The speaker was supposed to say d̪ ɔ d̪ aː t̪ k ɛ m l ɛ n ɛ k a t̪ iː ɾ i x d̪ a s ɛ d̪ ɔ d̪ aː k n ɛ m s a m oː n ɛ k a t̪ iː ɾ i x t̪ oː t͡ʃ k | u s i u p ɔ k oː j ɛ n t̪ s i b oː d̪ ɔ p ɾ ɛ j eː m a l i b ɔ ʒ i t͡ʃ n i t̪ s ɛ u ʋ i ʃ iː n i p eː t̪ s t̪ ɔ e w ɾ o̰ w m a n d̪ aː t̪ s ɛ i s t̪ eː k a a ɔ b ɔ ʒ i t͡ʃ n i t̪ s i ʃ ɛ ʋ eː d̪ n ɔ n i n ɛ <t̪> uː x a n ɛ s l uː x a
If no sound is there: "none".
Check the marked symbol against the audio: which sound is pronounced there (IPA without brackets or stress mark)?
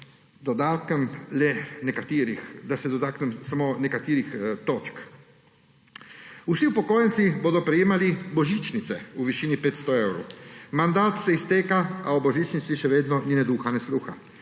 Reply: d̪